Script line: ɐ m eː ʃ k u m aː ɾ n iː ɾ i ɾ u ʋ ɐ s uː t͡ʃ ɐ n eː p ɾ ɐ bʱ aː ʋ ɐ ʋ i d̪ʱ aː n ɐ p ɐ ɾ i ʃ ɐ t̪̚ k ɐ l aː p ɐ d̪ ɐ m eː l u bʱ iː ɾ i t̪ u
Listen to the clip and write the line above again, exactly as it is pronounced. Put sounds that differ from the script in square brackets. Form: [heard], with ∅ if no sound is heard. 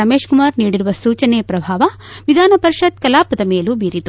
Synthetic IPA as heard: ɐ m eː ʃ k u m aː ɾ n iː [ɽ] i ɾ u ʋ ɐ s uː t͡ʃ ɐ n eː p ɾ ɐ bʱ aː ʋ ɐ ʋ i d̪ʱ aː n ɐ p ɐ ɾ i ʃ ɐ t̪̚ k ɐ l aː p ɐ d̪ ɐ m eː l u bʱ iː ɾ i t̪ u